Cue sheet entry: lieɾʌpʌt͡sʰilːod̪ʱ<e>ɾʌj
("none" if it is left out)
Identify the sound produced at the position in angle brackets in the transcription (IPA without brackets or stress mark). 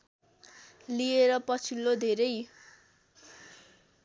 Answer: e